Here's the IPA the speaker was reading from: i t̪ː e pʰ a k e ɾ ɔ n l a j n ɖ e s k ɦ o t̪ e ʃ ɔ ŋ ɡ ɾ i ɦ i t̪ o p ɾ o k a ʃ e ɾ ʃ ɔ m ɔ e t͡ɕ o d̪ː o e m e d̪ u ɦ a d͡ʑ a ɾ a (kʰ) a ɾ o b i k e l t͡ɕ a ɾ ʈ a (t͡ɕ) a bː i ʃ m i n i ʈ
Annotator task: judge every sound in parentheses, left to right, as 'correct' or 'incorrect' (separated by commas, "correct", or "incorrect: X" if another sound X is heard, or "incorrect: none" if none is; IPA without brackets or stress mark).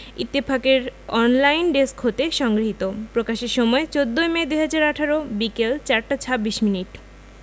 incorrect: ʈʰ, incorrect: t͡ɕʰ